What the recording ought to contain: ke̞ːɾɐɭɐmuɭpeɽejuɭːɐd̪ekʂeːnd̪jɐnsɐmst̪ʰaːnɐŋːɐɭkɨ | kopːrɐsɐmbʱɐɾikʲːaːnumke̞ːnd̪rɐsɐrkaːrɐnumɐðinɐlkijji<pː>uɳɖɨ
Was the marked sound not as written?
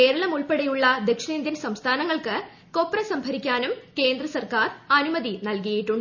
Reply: yes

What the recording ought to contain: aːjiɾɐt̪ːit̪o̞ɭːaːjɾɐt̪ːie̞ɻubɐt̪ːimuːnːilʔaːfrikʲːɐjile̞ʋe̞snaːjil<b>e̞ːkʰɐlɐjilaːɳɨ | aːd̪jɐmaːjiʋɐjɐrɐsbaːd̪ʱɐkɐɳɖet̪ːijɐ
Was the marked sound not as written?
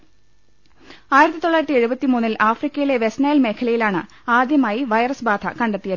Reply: yes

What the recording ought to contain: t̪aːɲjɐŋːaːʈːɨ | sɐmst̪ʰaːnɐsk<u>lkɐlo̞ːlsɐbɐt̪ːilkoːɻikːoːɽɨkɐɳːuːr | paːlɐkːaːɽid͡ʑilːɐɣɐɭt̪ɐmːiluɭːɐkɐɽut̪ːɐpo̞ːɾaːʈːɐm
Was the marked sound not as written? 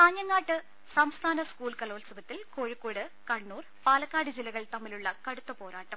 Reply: yes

